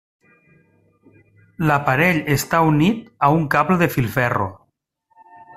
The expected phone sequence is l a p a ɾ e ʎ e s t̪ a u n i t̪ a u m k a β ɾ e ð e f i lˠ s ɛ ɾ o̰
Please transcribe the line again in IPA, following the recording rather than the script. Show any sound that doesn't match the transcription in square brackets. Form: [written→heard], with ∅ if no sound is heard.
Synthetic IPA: l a p a ɾ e ʎ e s t̪ a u n i t̪ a u [m→ŋ] k a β [ɾ→l] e ð e f i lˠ [s→f] ɛ [ɾ→r] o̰